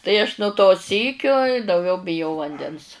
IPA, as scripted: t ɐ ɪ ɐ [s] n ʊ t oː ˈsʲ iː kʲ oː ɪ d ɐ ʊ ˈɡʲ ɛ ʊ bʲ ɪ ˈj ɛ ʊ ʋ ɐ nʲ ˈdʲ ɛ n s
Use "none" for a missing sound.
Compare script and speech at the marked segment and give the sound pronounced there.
ʃ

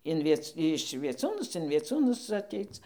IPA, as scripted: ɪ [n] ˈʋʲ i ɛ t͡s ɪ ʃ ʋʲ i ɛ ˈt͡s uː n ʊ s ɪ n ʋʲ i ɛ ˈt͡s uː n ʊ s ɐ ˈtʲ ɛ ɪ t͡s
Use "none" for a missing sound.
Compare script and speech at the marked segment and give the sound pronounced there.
n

